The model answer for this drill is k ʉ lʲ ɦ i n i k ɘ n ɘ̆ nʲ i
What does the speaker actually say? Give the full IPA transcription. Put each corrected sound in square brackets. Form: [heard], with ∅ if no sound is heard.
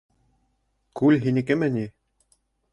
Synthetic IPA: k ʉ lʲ ɦ i n i k ɘ [m] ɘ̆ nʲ i